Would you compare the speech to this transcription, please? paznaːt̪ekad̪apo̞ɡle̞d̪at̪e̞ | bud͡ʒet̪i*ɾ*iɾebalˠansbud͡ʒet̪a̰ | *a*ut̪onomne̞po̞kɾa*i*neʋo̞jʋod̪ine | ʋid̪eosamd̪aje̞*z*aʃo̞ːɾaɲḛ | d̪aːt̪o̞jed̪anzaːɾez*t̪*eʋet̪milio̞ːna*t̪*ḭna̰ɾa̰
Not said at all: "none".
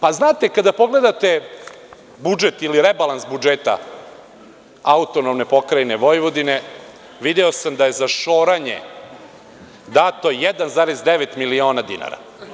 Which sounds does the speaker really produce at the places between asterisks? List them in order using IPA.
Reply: l, a, j, z, d̪, d̪

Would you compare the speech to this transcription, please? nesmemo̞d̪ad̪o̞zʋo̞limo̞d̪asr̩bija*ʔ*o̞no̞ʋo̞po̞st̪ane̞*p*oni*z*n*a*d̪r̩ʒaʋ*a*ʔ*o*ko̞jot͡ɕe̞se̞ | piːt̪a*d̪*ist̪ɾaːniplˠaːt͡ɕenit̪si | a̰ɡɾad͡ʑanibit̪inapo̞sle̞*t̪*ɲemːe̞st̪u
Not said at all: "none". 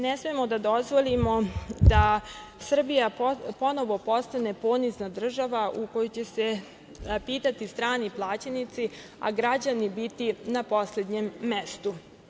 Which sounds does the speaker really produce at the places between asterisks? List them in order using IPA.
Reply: p, p, z, a, a, u, t̪, d̪

